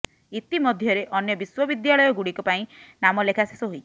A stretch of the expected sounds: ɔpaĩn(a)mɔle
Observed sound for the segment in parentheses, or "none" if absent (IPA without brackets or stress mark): a